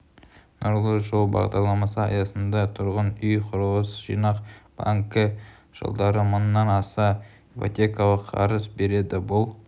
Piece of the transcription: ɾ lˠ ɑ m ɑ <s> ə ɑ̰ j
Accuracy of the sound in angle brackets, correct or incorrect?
correct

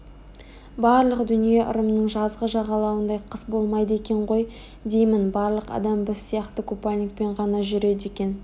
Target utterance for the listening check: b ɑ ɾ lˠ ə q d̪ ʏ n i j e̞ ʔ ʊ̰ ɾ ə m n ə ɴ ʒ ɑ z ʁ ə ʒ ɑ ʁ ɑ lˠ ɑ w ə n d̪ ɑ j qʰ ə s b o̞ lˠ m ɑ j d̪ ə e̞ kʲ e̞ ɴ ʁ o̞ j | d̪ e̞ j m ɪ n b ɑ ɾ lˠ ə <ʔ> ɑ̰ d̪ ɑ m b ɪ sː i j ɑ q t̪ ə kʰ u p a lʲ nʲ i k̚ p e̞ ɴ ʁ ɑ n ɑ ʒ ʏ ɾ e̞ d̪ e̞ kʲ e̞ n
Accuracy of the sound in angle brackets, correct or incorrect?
incorrect: q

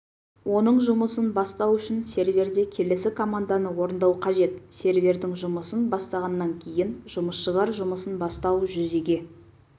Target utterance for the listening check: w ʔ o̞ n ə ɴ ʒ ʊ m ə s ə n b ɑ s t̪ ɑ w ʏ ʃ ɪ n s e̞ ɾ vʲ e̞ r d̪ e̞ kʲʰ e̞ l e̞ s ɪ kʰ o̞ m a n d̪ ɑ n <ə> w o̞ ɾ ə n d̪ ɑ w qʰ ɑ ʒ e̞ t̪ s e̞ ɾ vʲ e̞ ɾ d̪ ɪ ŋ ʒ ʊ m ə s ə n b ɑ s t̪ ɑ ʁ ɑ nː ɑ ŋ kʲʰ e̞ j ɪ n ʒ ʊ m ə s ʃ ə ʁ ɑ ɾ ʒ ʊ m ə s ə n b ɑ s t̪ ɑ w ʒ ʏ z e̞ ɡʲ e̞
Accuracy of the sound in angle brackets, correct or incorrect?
correct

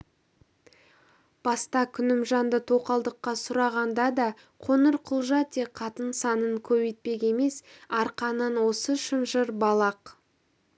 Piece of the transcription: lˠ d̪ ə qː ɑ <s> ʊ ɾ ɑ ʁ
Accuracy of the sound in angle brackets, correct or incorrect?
correct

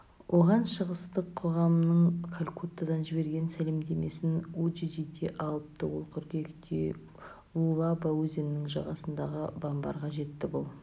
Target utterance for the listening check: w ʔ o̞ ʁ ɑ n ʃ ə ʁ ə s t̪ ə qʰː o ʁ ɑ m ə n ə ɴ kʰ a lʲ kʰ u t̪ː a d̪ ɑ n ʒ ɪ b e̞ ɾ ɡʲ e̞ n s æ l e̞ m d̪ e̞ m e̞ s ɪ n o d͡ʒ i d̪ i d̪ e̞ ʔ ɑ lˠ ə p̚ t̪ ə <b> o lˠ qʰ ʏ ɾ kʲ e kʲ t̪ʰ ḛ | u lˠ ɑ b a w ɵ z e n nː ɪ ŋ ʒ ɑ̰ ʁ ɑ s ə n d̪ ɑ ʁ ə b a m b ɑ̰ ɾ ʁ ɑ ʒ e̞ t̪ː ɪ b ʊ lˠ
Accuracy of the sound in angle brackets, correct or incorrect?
incorrect: w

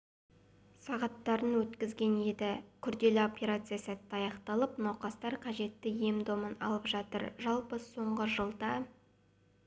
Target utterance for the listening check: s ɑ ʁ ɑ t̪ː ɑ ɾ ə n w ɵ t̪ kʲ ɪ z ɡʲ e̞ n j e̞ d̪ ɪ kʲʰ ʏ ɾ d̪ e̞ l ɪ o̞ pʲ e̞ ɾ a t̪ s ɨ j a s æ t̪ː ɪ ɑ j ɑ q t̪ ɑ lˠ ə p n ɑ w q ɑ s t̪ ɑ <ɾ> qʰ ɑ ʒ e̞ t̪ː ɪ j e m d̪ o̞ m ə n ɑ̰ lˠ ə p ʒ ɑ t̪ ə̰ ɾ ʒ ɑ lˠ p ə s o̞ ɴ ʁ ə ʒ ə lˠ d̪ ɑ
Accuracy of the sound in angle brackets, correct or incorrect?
correct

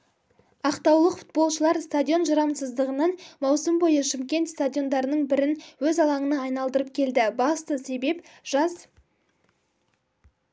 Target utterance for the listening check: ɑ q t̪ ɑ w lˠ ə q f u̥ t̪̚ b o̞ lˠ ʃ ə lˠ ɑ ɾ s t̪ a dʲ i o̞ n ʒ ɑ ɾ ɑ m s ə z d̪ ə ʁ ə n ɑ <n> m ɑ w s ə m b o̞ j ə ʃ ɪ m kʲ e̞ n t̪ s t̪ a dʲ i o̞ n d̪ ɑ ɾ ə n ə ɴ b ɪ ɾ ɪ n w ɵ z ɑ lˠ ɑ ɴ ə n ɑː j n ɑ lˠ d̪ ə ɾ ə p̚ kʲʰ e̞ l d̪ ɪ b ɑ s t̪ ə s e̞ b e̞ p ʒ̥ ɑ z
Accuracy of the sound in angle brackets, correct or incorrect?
correct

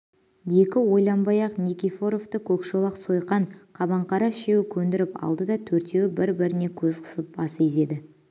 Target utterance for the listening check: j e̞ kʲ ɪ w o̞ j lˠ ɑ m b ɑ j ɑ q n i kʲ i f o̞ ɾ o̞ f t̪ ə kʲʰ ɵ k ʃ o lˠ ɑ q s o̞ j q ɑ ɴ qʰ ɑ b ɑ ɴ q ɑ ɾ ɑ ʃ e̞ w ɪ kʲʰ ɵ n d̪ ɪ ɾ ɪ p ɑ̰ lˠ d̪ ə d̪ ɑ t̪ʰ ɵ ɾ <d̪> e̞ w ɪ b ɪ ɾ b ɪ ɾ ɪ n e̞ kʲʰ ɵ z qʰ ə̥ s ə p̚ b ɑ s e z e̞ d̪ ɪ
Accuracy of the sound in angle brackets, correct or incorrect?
incorrect: t̪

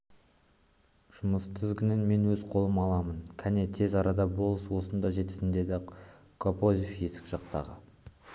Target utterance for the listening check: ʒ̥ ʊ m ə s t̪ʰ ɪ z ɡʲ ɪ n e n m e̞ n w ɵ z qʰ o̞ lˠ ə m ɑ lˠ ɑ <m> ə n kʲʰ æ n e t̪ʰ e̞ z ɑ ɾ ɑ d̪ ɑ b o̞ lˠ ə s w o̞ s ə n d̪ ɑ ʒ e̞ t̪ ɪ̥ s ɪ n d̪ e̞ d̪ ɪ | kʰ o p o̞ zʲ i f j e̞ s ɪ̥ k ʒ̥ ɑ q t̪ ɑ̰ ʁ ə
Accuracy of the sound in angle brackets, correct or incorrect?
correct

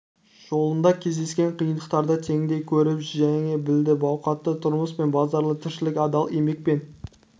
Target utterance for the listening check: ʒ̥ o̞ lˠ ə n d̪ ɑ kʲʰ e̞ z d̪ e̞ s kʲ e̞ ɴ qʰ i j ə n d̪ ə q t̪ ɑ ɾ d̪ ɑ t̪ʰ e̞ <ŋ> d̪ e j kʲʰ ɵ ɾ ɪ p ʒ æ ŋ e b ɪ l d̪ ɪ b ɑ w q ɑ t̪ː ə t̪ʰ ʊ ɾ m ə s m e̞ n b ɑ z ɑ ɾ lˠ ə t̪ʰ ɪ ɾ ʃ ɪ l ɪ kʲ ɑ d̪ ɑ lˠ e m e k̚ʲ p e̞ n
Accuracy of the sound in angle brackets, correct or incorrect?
correct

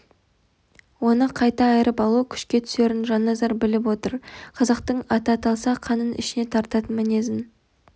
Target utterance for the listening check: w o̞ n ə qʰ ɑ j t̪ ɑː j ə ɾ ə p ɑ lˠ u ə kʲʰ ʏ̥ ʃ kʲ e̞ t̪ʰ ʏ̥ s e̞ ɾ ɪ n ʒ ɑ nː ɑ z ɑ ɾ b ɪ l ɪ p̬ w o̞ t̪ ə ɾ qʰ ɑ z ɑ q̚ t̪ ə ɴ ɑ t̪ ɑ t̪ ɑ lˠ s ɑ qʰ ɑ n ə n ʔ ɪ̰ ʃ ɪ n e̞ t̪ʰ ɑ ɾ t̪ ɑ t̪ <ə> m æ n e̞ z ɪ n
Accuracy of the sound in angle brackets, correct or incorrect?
correct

